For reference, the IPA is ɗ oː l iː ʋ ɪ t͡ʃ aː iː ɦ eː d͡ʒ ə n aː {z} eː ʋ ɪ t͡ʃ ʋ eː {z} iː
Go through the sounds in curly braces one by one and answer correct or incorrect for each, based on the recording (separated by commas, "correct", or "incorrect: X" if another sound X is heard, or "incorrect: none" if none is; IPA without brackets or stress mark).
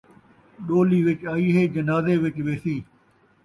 correct, incorrect: s